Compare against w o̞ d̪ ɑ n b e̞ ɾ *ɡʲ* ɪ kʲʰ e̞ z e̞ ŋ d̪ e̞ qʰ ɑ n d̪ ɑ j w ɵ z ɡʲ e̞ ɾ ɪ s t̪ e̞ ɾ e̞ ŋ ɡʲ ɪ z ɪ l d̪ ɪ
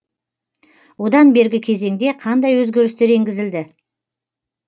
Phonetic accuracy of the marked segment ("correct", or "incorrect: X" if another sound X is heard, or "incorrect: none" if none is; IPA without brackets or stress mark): correct